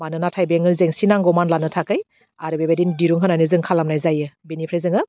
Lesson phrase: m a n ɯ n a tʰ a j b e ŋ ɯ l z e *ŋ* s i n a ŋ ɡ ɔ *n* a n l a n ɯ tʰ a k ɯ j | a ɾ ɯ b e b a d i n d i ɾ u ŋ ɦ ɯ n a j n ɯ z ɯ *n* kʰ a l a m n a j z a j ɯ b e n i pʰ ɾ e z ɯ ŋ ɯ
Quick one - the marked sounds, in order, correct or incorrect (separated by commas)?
correct, incorrect, incorrect